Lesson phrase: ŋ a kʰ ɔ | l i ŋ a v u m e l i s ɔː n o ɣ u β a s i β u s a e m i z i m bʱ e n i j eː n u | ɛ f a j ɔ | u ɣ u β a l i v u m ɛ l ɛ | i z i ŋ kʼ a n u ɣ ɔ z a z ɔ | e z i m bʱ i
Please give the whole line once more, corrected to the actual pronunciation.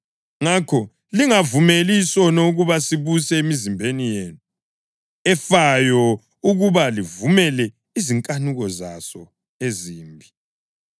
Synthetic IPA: ŋ a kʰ ɔ | l i ŋ a v u m e l i s ɔ n o ɣ u β a s i β u s ɛ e m i z i m bʱ e n i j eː n u | ɛ f a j ɔ | u ɣ u β a l i v u m ɛ l ɛ | i z i ŋ kʼ a n u ɣ ɔ z a s ɔ | e z iː m bʱ i